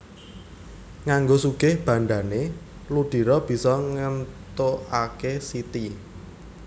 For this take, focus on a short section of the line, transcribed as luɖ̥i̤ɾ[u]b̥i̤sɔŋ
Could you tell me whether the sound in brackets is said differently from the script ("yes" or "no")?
yes